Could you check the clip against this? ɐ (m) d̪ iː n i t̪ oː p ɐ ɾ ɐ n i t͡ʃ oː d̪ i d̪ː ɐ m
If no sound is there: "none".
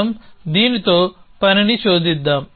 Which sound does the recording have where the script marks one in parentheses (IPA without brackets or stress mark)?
m